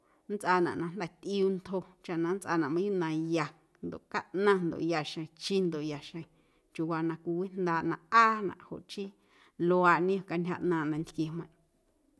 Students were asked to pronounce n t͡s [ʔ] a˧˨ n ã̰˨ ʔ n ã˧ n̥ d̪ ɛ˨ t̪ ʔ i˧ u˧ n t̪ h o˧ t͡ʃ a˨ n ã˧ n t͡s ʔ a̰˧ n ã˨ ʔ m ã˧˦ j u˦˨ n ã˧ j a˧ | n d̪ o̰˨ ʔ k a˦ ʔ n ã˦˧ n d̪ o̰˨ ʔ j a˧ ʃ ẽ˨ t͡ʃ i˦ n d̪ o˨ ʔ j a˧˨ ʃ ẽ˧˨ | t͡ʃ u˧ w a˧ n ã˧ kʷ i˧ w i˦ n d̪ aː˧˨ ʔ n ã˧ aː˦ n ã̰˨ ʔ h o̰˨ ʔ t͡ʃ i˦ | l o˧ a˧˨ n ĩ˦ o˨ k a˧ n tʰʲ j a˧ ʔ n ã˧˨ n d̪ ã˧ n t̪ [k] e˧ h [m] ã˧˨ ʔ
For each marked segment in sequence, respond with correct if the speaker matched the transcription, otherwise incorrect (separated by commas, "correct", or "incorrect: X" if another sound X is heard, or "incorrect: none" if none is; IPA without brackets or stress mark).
correct, correct, correct